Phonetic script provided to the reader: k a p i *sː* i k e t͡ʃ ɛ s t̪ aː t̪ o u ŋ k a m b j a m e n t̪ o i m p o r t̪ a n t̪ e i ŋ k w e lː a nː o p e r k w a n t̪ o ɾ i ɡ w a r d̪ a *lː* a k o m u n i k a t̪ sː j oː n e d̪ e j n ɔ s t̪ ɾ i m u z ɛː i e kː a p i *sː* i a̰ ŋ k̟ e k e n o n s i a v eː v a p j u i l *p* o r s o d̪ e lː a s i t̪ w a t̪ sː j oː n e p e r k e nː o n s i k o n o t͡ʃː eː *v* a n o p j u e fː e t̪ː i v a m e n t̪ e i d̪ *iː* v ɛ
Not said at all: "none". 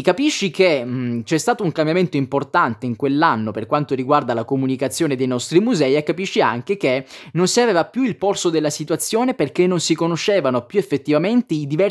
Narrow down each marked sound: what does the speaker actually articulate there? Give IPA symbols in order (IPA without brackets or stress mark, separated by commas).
ʃː, l, ʃː, p, v, i